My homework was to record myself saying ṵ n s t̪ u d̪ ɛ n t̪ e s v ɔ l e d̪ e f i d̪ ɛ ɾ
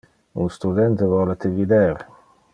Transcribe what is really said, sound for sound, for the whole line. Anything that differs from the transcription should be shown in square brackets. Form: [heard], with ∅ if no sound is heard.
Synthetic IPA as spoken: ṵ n s t̪ u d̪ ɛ n t̪ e [∅] v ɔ l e [t̪] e [v] i d̪ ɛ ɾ